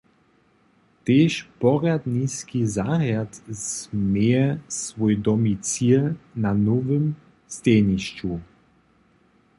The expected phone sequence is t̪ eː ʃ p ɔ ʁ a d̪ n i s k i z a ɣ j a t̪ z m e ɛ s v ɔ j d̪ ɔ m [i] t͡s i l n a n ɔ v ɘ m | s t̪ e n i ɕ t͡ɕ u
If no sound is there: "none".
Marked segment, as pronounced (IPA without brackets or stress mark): i